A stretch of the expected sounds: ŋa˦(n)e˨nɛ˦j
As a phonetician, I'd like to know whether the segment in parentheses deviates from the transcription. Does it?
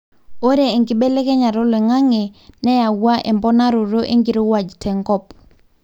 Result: yes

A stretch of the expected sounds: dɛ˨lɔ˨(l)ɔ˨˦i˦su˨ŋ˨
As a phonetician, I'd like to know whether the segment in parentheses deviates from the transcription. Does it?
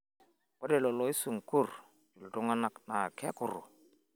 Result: no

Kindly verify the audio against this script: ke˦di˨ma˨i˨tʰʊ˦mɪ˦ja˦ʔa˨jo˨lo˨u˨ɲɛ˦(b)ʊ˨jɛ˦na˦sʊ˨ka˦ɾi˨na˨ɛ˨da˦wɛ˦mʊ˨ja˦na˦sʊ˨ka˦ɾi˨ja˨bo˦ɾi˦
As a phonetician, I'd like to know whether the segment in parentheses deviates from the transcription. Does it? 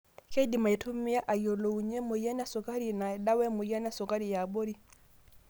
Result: yes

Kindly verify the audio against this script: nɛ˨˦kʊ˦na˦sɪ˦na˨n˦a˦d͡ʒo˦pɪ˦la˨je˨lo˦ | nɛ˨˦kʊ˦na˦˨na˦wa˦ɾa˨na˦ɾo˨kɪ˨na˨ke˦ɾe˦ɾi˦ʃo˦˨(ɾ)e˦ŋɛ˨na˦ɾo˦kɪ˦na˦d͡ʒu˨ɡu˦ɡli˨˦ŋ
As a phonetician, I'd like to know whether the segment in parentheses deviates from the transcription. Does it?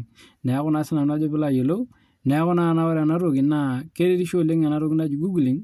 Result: yes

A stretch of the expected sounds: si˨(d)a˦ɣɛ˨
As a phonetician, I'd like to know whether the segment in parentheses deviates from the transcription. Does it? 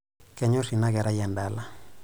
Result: yes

